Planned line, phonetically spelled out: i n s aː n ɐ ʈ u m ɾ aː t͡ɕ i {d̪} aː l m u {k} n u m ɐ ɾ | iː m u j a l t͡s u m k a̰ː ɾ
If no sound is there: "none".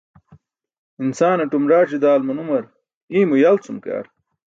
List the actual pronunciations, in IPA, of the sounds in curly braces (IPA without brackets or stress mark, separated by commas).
d̪, none